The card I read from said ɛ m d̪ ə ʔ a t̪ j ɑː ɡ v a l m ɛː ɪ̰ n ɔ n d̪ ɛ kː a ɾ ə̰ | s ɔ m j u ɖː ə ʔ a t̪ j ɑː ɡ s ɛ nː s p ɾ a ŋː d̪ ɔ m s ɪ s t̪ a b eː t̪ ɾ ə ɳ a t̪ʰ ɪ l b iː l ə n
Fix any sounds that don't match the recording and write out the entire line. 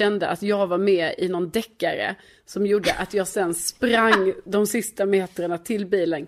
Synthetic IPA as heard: ɛ n d̪ ə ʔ a t̪ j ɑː ɡ v a ɾ m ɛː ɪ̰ n ɔ n d̪ ɛ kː a ɾ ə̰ | s ɔ m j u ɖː ə ʔ a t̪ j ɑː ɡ s ɛ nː s p ɾ a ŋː d̪ ɔ m s ɪ s t̪ a m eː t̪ ɾ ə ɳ a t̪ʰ ɪ l b iː l ə n